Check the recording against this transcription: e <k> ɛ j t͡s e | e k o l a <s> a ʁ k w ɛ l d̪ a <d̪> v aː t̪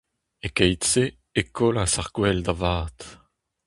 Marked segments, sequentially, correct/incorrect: correct, correct, incorrect

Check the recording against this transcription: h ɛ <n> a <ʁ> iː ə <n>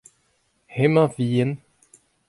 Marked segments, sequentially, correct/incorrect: incorrect, incorrect, correct

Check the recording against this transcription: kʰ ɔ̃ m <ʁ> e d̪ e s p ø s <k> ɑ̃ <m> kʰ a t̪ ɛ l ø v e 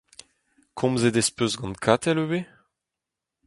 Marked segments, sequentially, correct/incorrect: incorrect, incorrect, incorrect

